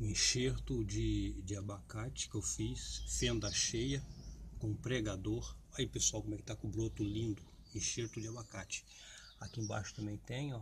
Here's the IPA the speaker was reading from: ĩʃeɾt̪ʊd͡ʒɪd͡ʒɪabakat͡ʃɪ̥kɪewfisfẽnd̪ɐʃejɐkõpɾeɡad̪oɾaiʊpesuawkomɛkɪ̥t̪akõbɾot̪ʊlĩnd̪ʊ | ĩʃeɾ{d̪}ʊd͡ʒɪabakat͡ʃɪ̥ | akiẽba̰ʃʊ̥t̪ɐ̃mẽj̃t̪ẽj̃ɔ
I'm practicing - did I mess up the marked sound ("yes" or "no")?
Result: yes